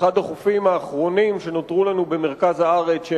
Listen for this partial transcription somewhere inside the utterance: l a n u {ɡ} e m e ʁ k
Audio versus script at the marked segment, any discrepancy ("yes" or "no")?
yes